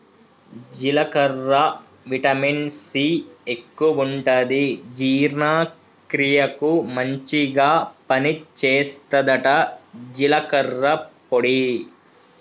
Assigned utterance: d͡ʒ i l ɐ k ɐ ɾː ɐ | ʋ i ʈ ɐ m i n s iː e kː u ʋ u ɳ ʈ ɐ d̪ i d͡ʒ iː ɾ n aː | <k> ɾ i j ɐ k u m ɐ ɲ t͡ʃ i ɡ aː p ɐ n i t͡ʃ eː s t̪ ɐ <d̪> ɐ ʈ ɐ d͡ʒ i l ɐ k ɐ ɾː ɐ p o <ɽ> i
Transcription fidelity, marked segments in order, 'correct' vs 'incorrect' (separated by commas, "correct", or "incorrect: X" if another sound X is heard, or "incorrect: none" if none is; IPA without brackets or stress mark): correct, correct, correct